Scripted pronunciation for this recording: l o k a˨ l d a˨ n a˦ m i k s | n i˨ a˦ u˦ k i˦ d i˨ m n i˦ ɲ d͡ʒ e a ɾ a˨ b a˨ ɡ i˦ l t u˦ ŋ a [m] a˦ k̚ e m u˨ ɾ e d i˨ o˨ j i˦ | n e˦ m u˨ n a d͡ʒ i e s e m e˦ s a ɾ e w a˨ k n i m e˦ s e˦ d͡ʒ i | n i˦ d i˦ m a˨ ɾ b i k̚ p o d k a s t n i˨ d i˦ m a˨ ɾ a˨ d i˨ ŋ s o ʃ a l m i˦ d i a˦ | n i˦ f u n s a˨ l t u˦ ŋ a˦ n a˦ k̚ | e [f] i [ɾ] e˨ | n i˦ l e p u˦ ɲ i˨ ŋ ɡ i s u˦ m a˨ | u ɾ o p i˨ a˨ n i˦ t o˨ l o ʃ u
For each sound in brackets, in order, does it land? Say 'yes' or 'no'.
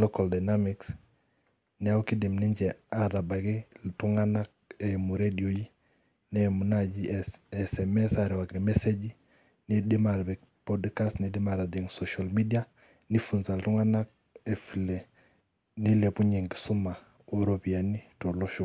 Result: no, yes, no

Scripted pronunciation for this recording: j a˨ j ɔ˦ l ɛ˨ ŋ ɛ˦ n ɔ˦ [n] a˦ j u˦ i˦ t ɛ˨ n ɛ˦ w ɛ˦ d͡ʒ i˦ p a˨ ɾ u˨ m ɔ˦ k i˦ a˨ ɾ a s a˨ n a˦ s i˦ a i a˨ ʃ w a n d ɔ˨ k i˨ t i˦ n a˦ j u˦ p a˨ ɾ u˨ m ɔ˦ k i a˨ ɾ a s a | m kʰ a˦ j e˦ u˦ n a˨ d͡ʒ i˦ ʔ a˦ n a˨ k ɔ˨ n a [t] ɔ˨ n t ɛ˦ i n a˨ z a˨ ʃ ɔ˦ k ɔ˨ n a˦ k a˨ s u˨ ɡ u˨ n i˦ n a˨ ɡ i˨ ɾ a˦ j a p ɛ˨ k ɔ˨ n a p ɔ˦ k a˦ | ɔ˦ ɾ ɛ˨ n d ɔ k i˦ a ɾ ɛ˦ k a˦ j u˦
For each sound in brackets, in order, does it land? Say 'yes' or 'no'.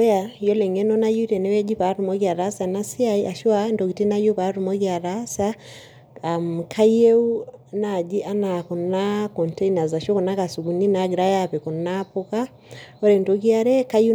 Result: yes, no

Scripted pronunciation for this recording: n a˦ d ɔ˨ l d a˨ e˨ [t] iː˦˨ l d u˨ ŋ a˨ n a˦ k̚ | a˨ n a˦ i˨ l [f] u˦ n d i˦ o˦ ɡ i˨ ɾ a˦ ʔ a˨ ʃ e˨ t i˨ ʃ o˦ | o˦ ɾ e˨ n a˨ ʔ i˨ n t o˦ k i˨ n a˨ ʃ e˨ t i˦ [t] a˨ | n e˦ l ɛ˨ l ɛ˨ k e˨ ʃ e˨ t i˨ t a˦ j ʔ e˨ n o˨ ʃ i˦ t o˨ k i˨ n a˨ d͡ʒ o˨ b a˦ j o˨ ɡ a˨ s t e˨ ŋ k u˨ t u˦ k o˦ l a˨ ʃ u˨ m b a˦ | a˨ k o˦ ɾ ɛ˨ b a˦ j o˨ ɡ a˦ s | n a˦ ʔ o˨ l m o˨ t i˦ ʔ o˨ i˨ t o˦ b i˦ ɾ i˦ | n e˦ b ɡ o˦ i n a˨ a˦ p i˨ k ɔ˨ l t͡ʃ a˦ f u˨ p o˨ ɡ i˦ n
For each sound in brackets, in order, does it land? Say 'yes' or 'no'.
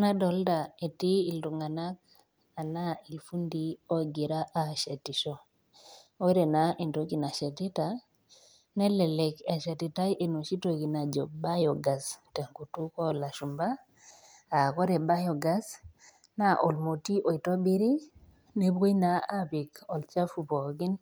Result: yes, yes, yes

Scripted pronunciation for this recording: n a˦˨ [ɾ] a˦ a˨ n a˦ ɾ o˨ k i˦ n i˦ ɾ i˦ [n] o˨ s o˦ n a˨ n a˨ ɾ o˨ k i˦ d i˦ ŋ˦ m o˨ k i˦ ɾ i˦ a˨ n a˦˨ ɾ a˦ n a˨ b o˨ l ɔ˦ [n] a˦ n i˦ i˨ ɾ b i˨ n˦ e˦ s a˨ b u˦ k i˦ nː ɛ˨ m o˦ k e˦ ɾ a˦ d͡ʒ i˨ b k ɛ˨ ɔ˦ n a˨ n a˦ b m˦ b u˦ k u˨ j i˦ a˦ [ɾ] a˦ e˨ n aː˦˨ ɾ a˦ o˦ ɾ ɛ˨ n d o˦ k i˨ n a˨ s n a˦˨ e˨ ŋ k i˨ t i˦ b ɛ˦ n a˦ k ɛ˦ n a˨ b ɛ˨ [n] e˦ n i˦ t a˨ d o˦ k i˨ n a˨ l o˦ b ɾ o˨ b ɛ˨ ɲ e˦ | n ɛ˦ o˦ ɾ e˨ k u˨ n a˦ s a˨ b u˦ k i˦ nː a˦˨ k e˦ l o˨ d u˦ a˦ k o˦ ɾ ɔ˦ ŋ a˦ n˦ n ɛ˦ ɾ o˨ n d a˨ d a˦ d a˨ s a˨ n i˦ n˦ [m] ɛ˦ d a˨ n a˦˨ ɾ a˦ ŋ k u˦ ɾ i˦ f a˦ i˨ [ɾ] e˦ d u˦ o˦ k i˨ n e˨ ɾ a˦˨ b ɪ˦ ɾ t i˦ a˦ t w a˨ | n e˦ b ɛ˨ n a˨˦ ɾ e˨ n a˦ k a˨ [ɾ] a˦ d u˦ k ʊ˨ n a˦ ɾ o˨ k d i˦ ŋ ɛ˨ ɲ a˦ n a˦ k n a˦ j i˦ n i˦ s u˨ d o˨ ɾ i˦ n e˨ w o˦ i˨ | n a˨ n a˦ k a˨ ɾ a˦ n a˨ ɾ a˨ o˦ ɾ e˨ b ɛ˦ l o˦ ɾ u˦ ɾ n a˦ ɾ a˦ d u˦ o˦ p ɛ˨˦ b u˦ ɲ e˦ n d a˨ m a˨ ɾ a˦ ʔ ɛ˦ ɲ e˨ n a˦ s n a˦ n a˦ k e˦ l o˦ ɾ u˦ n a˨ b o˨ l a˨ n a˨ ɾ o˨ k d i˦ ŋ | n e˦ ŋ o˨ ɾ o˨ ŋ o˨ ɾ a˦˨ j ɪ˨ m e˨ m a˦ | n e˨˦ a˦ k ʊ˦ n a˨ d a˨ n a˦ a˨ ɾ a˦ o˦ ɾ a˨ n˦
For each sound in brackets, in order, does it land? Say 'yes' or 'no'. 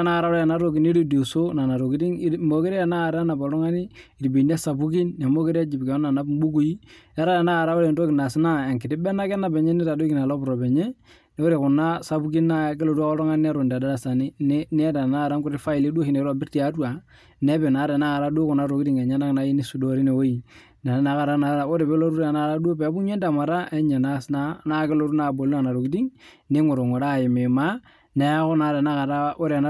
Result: yes, no, no, yes, no, no, no, yes

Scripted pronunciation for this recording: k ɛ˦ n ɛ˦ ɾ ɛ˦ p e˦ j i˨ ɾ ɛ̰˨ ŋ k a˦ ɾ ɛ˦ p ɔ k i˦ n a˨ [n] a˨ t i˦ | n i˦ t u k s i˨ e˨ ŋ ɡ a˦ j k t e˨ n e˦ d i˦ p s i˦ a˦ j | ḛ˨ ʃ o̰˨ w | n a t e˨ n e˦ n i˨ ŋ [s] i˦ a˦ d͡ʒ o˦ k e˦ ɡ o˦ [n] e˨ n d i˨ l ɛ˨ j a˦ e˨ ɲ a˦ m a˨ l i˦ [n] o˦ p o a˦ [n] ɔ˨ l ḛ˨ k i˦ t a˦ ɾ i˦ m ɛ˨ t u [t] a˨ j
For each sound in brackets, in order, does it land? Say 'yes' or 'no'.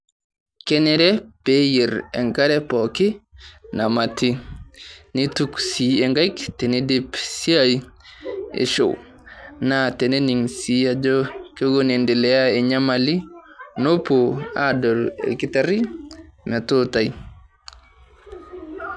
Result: no, yes, yes, yes, no, yes

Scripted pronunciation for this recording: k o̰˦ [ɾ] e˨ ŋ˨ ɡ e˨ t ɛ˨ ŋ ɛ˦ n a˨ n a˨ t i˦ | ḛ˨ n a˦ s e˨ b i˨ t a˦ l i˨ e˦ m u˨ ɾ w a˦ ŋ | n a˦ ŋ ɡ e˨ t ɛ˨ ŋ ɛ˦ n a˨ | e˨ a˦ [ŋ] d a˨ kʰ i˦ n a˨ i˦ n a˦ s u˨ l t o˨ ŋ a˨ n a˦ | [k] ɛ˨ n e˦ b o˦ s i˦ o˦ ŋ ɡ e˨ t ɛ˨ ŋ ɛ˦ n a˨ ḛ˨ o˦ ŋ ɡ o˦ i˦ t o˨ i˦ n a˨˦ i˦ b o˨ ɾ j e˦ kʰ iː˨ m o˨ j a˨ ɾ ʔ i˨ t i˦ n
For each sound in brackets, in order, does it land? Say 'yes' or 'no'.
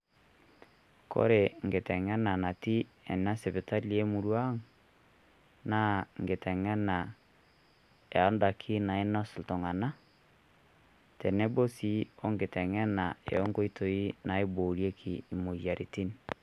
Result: yes, no, no

